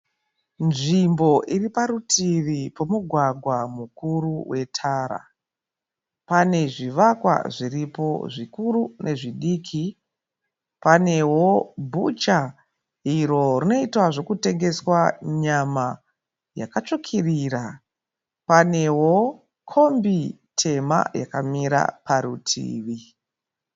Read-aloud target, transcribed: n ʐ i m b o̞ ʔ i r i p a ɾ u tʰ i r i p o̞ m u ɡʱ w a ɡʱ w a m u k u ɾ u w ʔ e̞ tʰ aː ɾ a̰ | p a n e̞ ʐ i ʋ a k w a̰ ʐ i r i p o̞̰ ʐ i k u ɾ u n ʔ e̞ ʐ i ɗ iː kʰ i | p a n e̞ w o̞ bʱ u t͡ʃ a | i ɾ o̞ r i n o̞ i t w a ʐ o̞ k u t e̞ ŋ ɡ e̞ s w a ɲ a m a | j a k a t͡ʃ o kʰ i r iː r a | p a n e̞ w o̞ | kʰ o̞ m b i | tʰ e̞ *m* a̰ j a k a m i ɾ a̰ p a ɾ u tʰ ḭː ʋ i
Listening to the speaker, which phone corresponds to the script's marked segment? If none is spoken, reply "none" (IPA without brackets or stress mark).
m